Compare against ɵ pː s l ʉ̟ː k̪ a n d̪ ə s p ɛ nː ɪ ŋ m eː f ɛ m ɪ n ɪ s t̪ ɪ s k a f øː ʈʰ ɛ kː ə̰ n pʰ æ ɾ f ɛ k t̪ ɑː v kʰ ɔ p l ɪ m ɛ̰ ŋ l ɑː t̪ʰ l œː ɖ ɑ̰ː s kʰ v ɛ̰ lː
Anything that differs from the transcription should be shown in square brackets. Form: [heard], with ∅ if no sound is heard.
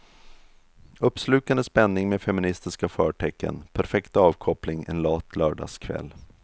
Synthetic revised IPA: ɵ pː s l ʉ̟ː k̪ a n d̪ ə s p ɛ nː ɪ ŋ m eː f ɛ m ɪ n ɪ s t̪ ɪ s k a f [œː] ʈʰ ɛ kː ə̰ n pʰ æ ɾ f ɛ k t̪ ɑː v kʰ ɔ p l ɪ [ŋ] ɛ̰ [n] l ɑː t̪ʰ l œː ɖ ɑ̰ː s kʰ v ɛ̰ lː